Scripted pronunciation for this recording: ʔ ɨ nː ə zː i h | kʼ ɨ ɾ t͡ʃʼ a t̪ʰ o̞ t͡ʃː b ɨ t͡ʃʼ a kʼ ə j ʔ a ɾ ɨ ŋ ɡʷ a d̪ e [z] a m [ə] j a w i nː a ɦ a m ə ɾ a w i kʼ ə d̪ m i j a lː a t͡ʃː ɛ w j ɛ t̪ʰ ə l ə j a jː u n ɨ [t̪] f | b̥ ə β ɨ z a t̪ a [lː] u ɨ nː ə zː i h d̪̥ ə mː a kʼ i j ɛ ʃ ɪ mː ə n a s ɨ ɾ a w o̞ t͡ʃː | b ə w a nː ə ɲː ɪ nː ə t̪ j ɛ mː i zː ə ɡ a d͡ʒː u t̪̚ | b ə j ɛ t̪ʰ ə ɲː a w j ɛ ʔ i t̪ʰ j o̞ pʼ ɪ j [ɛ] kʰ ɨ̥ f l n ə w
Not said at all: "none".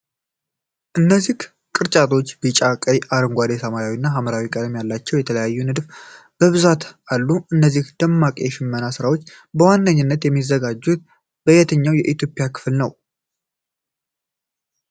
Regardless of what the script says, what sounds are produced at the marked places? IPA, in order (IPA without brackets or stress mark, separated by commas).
s, a, d̪, lː, a